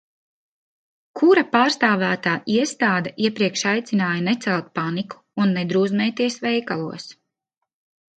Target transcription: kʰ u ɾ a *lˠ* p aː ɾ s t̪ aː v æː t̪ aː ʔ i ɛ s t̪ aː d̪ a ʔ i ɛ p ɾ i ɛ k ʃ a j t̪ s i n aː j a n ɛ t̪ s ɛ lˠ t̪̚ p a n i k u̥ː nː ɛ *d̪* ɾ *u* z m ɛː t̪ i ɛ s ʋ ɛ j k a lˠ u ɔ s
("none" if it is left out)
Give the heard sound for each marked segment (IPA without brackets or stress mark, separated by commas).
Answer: none, d̪, uː